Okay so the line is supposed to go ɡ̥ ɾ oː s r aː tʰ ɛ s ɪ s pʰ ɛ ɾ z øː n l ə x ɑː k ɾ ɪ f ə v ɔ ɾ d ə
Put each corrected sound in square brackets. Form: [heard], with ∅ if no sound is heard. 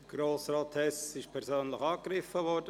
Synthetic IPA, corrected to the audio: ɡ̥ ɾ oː s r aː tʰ ɛ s ɪ [ʃ] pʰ ɛ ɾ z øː n l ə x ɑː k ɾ ɪ f ə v ɔ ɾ d ə